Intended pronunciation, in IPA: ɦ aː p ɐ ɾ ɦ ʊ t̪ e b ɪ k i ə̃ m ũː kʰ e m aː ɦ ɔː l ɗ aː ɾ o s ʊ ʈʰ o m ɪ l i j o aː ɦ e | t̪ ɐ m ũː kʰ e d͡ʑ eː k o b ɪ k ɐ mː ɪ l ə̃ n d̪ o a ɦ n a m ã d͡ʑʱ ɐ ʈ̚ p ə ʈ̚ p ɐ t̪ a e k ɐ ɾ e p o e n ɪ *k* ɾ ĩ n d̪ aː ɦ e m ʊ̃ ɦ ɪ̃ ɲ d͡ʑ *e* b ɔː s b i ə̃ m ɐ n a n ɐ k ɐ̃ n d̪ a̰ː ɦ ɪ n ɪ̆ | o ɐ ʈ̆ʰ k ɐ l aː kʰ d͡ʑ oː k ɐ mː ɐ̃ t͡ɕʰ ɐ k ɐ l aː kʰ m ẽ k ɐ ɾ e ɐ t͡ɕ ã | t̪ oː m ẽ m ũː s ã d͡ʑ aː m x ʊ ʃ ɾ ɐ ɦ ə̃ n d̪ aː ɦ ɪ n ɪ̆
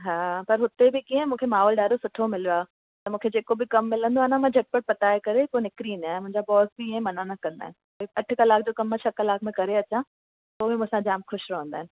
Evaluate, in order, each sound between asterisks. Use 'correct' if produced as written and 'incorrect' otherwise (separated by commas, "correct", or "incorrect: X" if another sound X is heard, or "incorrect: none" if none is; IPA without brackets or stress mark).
correct, incorrect: a